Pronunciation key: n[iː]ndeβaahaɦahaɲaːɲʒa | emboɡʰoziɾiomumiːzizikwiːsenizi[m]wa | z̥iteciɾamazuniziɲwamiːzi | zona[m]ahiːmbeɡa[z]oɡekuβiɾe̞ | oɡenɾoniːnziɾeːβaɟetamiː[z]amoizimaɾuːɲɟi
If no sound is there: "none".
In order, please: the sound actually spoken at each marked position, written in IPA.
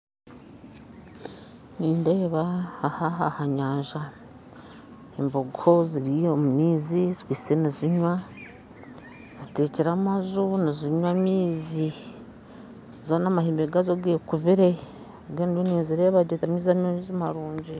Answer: iː, ɲ, m, z, z

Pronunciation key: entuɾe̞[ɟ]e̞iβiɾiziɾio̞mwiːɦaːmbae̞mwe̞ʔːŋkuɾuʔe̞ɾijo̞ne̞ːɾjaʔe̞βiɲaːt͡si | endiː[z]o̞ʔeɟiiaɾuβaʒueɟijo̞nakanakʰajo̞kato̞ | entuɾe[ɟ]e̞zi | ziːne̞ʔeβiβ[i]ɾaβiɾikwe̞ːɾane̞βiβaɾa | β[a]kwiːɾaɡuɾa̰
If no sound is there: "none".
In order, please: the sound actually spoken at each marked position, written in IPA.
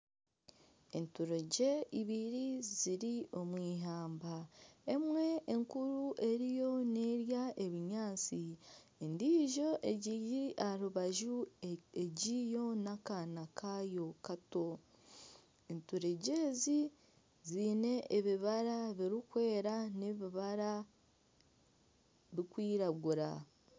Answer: ɟ, ʒ, ɟ, a, i

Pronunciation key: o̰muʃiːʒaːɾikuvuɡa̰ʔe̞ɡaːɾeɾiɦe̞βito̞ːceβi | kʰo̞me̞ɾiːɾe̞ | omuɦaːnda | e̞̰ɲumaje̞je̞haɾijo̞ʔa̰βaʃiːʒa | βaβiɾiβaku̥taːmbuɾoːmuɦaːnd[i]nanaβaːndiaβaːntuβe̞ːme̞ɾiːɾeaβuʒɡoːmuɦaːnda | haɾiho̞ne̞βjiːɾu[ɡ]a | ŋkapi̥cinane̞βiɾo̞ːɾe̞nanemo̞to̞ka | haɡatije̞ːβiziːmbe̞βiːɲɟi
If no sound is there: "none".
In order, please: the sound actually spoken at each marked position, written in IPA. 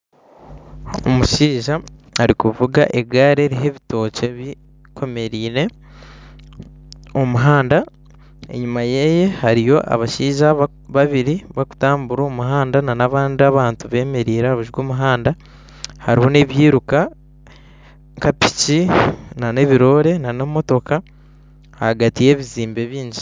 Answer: a, k

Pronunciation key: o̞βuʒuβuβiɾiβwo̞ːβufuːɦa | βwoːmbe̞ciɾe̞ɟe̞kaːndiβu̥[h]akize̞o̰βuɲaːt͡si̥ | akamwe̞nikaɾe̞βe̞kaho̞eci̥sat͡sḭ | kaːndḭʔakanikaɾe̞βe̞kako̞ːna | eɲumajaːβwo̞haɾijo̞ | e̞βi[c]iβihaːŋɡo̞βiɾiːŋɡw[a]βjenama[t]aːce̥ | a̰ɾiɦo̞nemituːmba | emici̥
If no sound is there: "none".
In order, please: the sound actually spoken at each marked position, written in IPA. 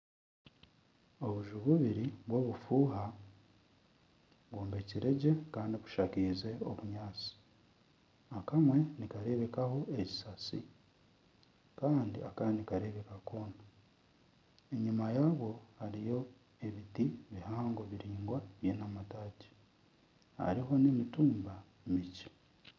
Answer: ʃ, t, a, t

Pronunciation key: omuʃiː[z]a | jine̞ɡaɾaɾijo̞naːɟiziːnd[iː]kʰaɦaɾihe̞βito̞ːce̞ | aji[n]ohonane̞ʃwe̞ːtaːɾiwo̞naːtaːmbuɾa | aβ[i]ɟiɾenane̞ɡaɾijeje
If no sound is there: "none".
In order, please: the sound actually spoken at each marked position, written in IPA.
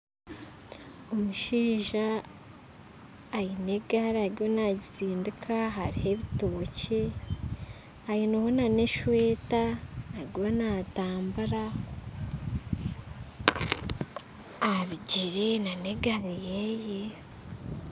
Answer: ʒ, i, n, i

